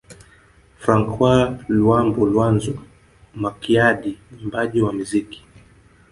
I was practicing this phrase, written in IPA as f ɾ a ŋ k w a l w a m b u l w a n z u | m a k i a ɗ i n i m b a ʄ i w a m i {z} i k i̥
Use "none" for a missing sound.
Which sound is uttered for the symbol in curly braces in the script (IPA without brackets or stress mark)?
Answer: z